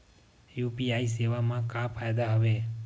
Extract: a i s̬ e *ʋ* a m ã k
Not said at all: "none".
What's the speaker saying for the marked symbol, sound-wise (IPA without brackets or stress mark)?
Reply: ʋ